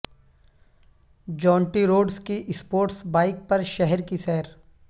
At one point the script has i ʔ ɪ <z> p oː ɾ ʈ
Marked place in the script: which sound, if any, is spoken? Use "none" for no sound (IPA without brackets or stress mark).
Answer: s